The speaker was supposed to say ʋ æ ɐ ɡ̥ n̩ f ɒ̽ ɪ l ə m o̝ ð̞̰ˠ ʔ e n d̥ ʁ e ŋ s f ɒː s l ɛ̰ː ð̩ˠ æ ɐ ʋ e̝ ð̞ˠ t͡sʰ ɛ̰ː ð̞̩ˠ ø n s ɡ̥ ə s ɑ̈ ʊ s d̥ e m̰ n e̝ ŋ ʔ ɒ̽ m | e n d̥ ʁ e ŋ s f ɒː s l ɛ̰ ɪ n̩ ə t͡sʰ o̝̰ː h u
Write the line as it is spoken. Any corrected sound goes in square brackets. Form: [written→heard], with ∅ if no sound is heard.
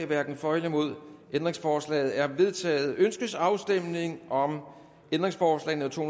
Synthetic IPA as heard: ʋ æ ɐ ɡ̥ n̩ f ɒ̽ ɪ l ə m o̝ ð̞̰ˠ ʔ e n d̥ ʁ e ŋ s f ɒː s l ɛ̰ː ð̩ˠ æ ɐ ʋ e̝ ð̞ˠ t͡sʰ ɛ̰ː ð̞̩ˠ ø n s ɡ̥ ə s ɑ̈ ʊ s d̥ e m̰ n e̝ ŋ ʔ ɒ̽ m | e n d̥ ʁ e ŋ s f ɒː s l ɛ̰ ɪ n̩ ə t͡sʰ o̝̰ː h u